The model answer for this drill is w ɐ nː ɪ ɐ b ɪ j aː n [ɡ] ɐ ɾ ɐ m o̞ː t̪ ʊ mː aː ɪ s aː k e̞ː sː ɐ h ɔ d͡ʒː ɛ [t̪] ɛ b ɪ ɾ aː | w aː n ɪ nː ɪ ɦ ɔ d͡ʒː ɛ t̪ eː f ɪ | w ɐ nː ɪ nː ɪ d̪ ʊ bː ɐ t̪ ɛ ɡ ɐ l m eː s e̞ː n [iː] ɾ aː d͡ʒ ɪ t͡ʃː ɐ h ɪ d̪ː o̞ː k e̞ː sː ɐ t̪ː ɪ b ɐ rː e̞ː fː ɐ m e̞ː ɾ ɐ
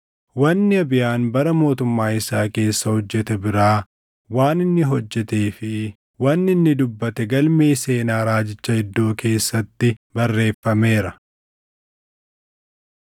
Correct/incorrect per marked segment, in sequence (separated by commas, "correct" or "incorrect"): incorrect, correct, incorrect